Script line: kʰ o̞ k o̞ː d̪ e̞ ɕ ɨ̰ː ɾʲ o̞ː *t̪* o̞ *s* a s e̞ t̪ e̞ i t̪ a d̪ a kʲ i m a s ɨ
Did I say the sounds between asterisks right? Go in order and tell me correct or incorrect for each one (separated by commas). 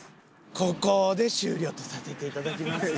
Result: correct, correct